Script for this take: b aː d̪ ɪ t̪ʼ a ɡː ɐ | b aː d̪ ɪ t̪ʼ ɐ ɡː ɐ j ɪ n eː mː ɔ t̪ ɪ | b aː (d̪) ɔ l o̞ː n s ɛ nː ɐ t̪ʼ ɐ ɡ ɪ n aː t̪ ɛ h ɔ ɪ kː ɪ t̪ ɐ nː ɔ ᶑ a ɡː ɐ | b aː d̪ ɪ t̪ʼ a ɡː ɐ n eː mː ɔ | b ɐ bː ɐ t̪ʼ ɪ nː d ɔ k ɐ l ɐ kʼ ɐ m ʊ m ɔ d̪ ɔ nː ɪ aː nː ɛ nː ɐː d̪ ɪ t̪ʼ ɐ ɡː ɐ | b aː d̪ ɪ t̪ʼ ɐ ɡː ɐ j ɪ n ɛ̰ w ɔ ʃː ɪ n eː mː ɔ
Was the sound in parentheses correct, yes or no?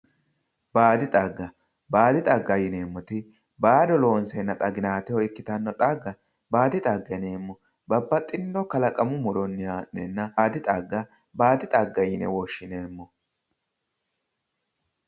yes